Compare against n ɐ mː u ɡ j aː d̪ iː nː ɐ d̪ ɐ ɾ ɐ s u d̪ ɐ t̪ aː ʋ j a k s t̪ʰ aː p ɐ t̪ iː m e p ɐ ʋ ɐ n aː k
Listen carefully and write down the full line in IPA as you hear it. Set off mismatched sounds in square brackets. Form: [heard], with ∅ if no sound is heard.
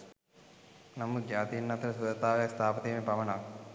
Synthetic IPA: n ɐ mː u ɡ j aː [t̪] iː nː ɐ [t̪] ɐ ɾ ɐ s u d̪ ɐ t̪ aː ʋ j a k s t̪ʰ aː p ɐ t̪ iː m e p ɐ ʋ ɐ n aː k